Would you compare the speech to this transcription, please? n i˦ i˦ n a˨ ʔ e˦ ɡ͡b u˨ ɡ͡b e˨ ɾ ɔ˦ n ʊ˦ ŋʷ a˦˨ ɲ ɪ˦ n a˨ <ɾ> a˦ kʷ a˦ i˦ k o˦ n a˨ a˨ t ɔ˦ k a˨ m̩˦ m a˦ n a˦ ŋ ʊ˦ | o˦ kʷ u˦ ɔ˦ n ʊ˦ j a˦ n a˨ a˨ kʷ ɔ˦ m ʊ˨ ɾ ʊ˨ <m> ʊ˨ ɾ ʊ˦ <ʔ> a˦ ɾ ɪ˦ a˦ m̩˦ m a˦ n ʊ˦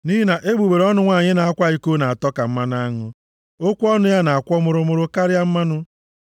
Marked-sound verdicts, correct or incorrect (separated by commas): incorrect, correct, incorrect